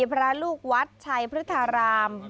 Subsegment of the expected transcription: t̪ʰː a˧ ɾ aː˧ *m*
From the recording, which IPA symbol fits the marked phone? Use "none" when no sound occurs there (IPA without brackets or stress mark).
m